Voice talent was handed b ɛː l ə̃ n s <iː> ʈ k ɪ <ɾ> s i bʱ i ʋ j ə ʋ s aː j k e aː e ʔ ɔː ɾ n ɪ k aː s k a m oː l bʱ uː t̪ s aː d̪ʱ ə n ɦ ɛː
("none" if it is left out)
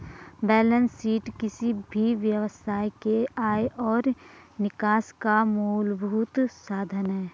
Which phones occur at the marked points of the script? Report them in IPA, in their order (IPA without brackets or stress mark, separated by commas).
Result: iː, none